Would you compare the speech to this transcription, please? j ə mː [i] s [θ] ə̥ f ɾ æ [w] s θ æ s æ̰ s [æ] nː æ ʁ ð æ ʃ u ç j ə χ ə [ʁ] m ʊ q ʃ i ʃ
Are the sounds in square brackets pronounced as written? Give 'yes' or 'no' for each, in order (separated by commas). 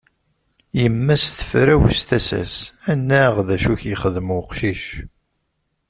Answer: no, yes, yes, yes, no